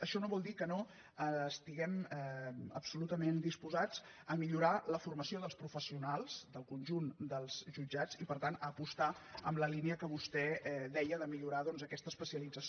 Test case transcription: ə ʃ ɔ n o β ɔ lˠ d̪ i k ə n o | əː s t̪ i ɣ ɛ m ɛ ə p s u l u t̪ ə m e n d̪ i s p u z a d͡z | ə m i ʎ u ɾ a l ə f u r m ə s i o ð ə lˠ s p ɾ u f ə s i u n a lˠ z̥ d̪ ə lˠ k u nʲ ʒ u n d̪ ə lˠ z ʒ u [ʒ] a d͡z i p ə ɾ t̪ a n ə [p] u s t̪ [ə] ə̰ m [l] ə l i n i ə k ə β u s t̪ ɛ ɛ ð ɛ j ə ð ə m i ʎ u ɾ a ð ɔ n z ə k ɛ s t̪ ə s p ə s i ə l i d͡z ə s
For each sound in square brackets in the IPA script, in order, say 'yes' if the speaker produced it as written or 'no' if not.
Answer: no, yes, no, yes

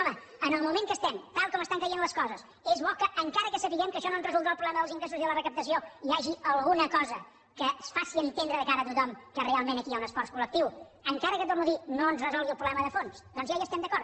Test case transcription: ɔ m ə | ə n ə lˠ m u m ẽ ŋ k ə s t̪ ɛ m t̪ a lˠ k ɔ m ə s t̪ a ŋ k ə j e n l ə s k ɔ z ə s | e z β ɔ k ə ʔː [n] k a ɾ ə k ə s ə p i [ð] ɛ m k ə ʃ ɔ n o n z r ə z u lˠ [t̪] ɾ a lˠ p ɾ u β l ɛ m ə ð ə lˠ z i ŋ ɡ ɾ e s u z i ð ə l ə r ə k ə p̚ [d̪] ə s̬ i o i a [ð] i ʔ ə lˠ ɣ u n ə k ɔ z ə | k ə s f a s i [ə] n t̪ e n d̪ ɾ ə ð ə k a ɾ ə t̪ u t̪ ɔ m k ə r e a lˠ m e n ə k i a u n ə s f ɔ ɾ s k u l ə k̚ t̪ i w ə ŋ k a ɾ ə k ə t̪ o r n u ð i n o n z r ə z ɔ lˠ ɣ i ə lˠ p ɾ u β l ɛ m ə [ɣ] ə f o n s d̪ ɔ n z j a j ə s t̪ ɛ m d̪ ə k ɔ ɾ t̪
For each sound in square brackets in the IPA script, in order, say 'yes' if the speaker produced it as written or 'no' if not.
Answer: no, no, no, no, no, yes, no

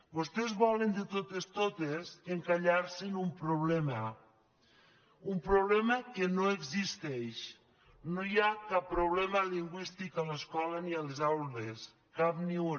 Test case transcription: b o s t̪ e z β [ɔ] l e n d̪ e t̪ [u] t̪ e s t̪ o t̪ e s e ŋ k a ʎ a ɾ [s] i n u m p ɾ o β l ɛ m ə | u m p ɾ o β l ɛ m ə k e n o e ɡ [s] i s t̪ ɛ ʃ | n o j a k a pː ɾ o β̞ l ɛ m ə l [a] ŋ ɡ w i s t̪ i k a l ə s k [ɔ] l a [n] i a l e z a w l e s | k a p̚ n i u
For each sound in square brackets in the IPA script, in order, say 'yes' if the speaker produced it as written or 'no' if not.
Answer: yes, no, yes, no, no, yes, yes

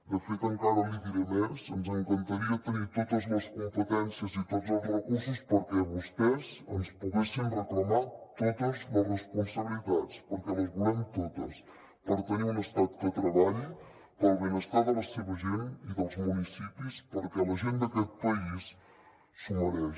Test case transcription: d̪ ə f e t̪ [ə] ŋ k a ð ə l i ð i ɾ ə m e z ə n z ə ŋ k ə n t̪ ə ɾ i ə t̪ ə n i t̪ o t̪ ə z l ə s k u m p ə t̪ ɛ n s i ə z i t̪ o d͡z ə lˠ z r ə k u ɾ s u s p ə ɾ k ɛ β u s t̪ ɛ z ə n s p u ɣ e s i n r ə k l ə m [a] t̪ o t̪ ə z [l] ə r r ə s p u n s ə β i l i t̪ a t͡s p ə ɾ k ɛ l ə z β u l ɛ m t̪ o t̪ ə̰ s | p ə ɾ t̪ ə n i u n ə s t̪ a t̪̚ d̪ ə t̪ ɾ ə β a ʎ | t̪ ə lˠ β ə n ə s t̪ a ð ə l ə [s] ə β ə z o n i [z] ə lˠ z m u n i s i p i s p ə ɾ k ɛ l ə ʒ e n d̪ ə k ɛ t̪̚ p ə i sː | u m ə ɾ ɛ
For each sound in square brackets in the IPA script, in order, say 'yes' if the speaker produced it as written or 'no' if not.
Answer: yes, yes, yes, yes, no

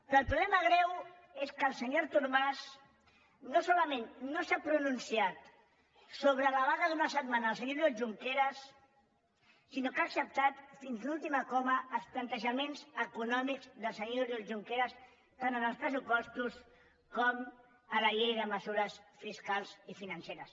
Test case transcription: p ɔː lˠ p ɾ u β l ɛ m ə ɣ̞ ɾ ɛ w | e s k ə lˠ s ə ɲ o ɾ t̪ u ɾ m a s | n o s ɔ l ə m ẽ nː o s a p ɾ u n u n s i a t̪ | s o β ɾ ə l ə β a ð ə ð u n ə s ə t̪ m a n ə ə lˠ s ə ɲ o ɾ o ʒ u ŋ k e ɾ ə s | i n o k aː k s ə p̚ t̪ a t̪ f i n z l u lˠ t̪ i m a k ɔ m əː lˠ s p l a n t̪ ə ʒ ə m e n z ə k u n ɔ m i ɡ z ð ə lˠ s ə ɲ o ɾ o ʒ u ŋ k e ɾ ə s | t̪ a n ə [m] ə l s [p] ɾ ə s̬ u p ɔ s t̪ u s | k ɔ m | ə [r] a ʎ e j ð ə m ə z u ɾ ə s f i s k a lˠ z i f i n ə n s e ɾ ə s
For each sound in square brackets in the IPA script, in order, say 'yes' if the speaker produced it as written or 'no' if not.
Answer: no, yes, no

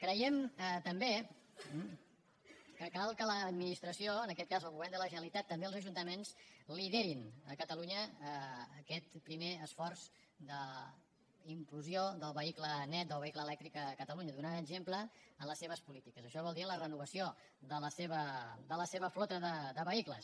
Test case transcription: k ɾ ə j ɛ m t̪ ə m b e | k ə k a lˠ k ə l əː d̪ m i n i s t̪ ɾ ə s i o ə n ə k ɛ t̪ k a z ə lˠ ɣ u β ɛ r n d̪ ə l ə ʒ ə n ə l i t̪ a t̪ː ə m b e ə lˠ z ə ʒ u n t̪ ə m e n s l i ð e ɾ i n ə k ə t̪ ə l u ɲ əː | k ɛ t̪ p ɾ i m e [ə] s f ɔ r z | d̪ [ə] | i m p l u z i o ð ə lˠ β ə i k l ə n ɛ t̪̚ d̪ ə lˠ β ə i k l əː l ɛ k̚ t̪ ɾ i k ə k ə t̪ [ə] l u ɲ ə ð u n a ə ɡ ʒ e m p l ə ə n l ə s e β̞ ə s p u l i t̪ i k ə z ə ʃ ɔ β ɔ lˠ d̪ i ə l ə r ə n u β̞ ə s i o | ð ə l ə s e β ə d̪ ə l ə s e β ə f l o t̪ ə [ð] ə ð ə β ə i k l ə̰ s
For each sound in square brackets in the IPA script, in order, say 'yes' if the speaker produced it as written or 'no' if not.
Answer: yes, yes, yes, yes

